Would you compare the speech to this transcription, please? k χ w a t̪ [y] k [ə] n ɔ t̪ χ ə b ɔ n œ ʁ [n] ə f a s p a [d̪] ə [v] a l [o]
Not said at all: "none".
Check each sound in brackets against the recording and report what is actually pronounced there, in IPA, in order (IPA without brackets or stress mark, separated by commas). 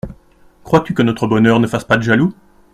y, ə, n, d̪, ʒ, u